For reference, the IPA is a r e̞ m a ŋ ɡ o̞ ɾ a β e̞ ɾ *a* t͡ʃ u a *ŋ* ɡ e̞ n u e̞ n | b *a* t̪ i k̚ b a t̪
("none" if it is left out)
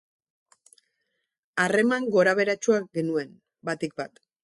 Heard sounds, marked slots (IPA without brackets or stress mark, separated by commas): a, none, a